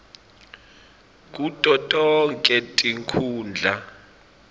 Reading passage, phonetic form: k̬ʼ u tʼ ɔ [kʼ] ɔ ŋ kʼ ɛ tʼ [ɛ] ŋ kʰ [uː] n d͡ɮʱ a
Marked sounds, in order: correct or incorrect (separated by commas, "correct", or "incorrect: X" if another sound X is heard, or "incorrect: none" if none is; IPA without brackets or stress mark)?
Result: incorrect: tʼ, incorrect: i, correct